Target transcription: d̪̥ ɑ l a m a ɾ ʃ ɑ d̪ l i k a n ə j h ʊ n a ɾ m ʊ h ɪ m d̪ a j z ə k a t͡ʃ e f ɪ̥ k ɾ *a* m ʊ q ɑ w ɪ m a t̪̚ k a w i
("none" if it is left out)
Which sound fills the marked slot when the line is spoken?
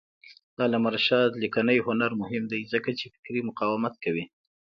i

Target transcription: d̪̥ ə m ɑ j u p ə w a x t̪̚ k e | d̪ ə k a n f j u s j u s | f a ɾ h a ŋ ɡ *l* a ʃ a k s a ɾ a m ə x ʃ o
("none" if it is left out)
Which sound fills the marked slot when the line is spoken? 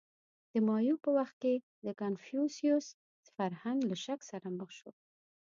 l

